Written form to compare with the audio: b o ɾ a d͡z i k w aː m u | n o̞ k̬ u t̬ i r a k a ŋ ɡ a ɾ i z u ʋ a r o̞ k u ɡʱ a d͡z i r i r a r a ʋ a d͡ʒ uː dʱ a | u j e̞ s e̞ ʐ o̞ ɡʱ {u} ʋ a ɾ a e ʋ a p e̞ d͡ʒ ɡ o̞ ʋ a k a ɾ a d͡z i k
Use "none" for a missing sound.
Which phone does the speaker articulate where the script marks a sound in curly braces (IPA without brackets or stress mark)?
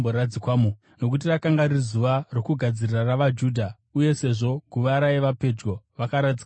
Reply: u